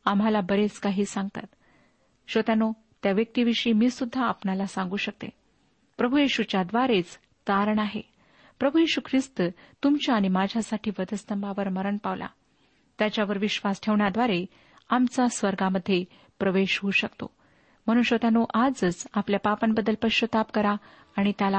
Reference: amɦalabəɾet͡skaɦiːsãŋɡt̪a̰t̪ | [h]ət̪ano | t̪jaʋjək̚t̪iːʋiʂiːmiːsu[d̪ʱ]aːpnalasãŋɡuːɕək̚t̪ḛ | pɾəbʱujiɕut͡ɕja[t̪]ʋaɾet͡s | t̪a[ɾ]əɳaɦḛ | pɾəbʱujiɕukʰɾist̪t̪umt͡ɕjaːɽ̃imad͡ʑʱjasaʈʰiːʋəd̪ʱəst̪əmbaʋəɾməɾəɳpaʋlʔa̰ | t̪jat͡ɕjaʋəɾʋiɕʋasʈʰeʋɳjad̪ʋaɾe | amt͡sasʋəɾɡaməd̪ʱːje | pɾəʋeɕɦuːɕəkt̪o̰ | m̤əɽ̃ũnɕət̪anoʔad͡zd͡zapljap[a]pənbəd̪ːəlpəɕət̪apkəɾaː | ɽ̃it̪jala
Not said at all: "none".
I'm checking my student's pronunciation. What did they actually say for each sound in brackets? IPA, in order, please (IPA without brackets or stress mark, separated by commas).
ɕ, d̪ʱː, d̪, ɾ, a